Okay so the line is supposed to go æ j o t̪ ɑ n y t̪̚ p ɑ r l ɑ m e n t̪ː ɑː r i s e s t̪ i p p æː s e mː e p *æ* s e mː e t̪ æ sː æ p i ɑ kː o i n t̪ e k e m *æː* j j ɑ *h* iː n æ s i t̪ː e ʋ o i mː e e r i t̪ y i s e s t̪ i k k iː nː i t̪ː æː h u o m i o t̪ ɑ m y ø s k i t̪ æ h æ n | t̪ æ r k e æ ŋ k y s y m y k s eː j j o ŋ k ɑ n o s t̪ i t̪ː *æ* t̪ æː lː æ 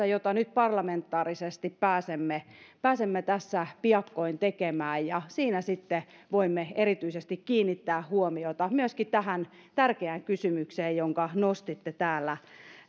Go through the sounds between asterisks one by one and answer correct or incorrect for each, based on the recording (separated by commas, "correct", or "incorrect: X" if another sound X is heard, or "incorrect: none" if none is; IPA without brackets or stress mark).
incorrect: æː, correct, incorrect: s, incorrect: e